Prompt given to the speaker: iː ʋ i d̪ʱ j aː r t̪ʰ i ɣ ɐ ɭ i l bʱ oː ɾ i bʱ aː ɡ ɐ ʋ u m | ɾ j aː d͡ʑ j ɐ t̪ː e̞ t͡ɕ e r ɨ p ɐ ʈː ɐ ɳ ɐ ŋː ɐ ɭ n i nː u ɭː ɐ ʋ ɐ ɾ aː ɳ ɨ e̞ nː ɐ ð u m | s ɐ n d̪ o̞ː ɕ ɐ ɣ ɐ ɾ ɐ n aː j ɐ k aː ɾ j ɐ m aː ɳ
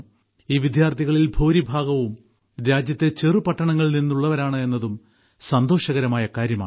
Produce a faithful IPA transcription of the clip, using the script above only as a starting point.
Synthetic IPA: iː ʋ i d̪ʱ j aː r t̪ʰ i ɣ ɐ ɭ i l bʱ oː ɾ i bʱ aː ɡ ɐ ʋ u m | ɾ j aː d͡ʑ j ɐ t̪ː e̞ t͡ɕ e r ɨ p ɐ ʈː ɐ ɳ ɐ ŋː ɐ ɭ n i nː u ɭː ɐ ʋ ɐ ɾ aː ɳ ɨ e̞ nː ɐ ð u m | s ɐ n d̪ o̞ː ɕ ɐ ɣ ɐ ɾ ɐ m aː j ɐ k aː ɾ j ɐ m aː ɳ